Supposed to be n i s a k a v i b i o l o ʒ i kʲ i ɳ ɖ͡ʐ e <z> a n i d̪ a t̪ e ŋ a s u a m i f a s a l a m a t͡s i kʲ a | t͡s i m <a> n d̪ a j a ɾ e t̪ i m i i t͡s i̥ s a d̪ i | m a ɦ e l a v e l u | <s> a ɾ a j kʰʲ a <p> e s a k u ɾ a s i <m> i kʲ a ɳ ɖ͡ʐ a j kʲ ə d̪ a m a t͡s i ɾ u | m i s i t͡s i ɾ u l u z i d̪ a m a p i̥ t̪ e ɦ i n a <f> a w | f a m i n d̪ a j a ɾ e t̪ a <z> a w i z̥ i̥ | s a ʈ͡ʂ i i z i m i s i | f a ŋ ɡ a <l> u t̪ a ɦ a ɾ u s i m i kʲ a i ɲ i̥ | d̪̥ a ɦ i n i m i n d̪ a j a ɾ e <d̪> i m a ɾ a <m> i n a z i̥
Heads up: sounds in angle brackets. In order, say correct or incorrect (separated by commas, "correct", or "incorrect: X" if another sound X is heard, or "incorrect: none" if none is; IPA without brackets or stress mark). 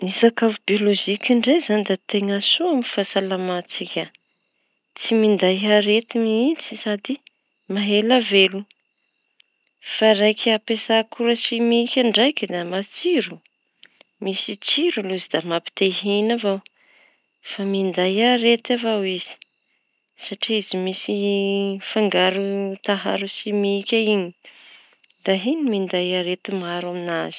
correct, incorrect: i, incorrect: f, correct, correct, incorrect: v, incorrect: v, incorrect: ɾ, incorrect: t̪, correct